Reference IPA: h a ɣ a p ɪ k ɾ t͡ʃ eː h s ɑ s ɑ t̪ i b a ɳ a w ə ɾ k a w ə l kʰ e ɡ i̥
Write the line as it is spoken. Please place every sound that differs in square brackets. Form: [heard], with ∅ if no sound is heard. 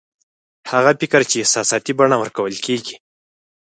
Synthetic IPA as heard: h a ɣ a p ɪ k ɾ t͡ʃ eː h s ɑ s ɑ t̪ i b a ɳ a w ə ɾ k a w ə l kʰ e ɡ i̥